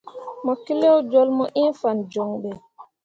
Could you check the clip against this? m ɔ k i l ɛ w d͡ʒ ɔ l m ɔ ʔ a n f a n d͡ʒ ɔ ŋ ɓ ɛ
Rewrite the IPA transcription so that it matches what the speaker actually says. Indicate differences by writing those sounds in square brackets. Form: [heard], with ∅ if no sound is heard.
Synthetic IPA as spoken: m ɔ k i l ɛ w d͡ʒ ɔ l m ɔ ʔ [i] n f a n d͡ʒ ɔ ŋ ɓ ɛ